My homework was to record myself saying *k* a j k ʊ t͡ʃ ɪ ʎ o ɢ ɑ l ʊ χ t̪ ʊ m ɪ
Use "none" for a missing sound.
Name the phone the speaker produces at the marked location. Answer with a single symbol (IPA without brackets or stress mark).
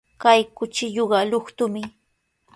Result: k